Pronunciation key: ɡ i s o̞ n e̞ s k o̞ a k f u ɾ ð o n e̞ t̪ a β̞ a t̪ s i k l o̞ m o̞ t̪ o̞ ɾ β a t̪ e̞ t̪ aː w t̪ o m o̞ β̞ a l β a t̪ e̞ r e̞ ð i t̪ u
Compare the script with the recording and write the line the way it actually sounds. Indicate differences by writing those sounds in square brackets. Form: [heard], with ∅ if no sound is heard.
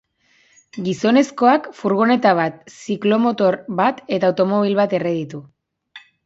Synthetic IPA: ɡ i s o̞ n e̞ s k o̞ a k f u ɾ [ɣ] o n e̞ t̪ a β̞ a t̪ s i k l o̞ m o̞ t̪ o̞ ɾ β a t̪ e̞ t̪ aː w t̪ o m o̞ β̞ [i] l β a t̪ e̞ r e̞ ð i t̪ u

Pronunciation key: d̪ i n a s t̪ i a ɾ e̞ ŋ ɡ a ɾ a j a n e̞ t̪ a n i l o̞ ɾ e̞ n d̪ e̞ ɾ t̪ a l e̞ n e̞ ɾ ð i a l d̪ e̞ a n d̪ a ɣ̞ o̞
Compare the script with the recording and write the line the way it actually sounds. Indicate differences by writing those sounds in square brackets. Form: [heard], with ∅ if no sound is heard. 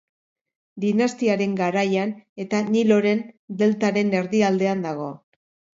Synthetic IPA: d̪ i n a s t̪ i a ɾ e̞ ŋ ɡ a ɾ a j a n e̞ t̪ a n i l o̞ ɾ e̞ n d̪ e̞ [l] t̪ a [ɾ] e̞ n e̞ ɾ ð i a l d̪ e̞ a n d̪ a ɣ̞ o̞

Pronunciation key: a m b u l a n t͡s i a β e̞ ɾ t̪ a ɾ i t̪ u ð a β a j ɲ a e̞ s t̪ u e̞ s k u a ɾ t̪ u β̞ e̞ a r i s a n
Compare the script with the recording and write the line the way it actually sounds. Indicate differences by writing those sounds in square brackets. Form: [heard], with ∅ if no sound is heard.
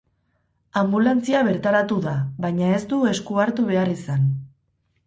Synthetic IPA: a m b u l a n t͡s i a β e̞ ɾ t̪ a ɾ [a] t̪ u ð a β a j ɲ a e̞ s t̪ u e̞ s k u a ɾ t̪ u β̞ e̞ a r i s a n

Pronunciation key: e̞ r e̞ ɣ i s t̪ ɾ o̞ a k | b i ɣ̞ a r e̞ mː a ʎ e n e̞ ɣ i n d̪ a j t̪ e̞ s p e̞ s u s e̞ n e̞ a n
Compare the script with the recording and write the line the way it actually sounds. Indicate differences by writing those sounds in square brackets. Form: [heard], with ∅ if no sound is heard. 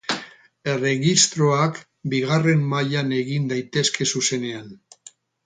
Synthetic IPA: e̞ r e̞ ɣ i s t̪ ɾ o̞ a k | b i ɣ̞ a r e̞ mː a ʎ [a] n e̞ ɣ i n d̪ a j t̪ e̞ s [k] e̞ s u s e̞ n e̞ a n

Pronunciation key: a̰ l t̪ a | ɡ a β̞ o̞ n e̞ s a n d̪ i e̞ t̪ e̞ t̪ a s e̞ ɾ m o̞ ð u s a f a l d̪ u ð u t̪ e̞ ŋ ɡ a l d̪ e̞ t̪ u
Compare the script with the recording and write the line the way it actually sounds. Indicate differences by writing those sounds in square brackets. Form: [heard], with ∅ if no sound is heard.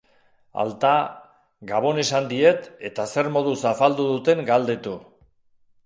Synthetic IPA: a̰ l t̪ a | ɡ a β̞ o̞ n e̞ s a n d̪ i e̞ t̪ e̞ t̪ a s e̞ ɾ m o̞ ð u s a f a l d̪ u ð u t̪ e̞ ŋ ɡ a l d̪ e̞ t̪ u

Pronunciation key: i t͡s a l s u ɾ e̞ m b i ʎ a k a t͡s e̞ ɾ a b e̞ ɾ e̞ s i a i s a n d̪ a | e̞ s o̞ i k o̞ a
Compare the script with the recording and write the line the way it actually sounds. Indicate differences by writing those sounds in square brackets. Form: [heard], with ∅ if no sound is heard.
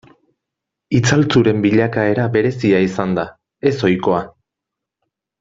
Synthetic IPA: i t͡s a l [t͡s] u ɾ e̞ m b i ʎ a k a [∅] e̞ ɾ a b e̞ ɾ e̞ s i a i s a n d̪ a | e̞ s o̞ [j] k o̞ a

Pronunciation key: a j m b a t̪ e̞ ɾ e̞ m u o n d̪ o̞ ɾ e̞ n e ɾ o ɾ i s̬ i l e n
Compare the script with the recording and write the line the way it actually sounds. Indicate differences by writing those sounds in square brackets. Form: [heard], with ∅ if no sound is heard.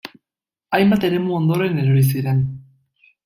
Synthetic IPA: a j m b a t̪ e̞ ɾ e̞ m u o n d̪ o̞ ɾ e̞ n e ɾ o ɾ i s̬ i [ɾ] e n

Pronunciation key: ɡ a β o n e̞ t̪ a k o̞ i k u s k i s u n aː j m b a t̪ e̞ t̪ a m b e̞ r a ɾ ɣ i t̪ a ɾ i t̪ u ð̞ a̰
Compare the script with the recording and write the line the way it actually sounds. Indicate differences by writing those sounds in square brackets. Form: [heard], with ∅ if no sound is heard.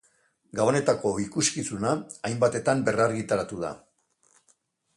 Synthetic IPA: ɡ a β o n e̞ t̪ a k o̞ i k u s k i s u n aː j m b a t̪ e̞ t̪ a m b e̞ r a ɾ ɣ i t̪ a ɾ [a] t̪ u ð̞ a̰

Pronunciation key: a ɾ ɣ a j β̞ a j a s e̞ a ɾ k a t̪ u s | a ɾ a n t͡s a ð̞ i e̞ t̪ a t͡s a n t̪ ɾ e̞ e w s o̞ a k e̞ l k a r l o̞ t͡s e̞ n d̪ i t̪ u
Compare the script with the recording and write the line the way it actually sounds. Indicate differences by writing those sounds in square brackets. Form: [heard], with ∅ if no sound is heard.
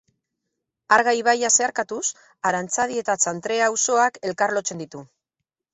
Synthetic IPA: a ɾ ɣ a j β̞ a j a s e̞ a ɾ k a t̪ u s | a ɾ a n t͡s a ð̞ i e̞ t̪ a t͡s a n t̪ ɾ e̞ [a] w s o̞ a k e̞ l k a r l o̞ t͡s e̞ n d̪ i t̪ u

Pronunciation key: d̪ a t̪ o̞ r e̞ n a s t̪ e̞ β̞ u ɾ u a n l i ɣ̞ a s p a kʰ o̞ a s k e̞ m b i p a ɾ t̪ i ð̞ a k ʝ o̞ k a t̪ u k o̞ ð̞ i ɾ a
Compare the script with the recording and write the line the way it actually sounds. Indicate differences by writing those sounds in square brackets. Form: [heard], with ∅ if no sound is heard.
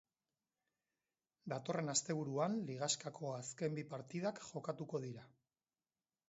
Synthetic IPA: d̪ a t̪ o̞ r e̞ n a s t̪ e̞ β̞ u ɾ u a n l i ɣ̞ a s [k] a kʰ o̞ a s k e̞ m b i p a ɾ t̪ i ð̞ a k ʝ o̞ k a t̪ u k o̞ ð̞ i ɾ a

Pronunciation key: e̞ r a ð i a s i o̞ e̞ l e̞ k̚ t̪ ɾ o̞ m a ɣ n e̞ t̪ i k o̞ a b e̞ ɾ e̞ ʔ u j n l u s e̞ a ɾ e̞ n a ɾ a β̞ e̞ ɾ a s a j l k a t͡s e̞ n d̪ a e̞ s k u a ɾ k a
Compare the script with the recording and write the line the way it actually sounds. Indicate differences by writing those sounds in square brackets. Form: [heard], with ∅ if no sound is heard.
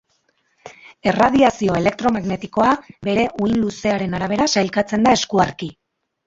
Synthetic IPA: e̞ r a ð i a s i o̞ e̞ l e̞ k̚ t̪ ɾ o̞ m a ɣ n e̞ t̪ i k o̞ a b e̞ ɾ e̞ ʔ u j n l u s e̞ a ɾ e̞ n a ɾ a β̞ e̞ ɾ a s a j l k a t͡s e̞ n d̪ a e̞ s k u a ɾ k [i]

